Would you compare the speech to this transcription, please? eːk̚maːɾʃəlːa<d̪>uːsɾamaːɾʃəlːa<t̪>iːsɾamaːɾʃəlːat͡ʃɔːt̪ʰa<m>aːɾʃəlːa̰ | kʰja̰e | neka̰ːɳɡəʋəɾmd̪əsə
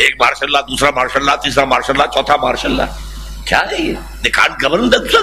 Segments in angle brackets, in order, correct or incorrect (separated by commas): correct, correct, correct